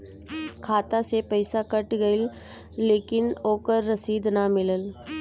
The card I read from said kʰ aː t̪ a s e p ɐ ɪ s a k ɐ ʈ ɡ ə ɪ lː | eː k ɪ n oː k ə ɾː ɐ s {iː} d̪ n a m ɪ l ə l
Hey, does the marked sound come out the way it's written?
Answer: yes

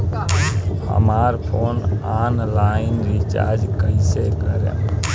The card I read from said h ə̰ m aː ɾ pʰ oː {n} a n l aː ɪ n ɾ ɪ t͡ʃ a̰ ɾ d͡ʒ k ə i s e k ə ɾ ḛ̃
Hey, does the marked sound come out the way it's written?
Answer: yes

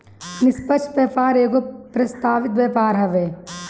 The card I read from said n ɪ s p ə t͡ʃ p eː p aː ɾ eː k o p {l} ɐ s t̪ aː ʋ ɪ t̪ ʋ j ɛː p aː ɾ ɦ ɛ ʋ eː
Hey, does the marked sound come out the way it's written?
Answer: no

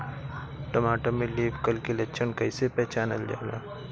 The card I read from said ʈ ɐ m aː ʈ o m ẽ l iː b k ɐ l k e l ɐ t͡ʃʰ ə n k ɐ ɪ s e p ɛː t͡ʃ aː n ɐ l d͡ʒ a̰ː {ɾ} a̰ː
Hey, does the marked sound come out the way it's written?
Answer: no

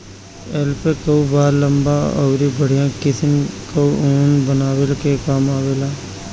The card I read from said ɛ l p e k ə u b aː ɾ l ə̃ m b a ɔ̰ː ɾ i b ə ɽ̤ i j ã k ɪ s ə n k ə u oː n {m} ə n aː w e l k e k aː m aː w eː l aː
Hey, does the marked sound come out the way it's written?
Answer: no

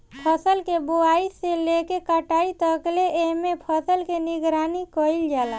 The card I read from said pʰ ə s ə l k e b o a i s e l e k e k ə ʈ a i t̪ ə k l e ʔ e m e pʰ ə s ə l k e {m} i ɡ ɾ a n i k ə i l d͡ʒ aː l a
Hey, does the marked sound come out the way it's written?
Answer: no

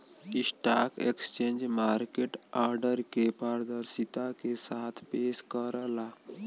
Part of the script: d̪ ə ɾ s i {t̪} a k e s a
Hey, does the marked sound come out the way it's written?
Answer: yes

